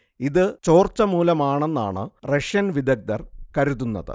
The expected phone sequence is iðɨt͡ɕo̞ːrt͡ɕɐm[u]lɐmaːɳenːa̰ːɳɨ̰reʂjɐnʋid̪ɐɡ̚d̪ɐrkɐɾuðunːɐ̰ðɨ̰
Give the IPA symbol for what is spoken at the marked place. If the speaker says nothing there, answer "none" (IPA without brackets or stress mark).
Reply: uː